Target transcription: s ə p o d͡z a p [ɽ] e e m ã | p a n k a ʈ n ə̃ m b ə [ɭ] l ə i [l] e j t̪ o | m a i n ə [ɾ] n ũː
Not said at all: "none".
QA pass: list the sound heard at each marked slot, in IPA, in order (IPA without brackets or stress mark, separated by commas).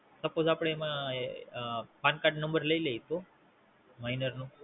ɽ, ɾ, l, ɾ